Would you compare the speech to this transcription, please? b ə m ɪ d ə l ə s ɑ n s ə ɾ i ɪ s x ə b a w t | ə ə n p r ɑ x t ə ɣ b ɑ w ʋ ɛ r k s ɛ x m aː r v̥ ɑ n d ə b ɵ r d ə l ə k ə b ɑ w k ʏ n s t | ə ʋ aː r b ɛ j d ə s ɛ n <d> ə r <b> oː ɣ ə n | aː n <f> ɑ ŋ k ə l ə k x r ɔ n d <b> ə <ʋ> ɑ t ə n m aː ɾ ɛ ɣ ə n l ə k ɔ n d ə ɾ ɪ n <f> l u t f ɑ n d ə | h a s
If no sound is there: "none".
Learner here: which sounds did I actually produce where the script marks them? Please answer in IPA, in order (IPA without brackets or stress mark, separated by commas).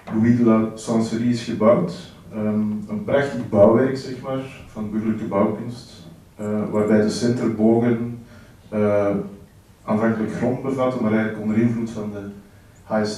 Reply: t, b, v, b, v, v